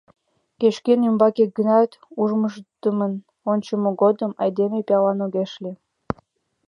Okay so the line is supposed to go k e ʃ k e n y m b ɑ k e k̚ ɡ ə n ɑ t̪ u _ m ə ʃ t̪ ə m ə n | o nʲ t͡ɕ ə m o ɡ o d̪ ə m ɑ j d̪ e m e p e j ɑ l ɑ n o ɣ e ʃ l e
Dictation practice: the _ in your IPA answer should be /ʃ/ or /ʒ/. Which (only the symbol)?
ʒ